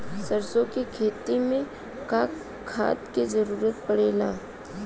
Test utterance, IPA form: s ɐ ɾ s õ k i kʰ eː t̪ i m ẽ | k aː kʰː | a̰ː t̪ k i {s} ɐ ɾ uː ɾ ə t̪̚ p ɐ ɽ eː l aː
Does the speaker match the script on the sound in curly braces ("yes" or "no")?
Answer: no